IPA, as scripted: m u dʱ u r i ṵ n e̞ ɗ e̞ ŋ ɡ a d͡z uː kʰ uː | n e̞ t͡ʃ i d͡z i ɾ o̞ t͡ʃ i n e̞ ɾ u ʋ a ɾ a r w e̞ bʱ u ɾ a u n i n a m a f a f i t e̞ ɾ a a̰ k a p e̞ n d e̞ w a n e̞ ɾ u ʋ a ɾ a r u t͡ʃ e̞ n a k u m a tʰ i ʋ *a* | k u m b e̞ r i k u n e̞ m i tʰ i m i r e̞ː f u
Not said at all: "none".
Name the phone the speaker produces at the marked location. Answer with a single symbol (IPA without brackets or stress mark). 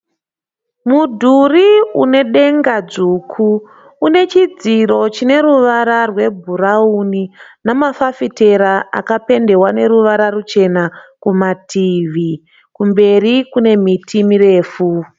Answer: i